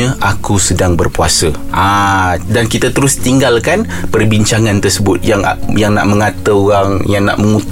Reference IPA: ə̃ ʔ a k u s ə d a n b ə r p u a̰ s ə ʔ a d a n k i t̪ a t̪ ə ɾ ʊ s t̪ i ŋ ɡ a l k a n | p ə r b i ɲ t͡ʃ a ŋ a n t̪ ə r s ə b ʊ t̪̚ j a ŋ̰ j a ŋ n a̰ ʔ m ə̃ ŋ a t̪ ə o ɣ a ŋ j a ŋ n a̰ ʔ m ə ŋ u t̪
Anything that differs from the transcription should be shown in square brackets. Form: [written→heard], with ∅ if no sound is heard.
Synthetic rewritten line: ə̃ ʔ a k u s ə d a [n→ŋ] b ə r p u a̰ s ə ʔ a d a n k i t̪ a t̪ ə ɾ ʊ s t̪ i ŋ ɡ a l k a n | p ə r b i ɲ t͡ʃ a ŋ a n t̪ ə r s ə b ʊ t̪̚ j a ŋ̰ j a ŋ n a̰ ʔ m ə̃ ŋ a t̪ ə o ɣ a ŋ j a ŋ n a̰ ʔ m ə ŋ u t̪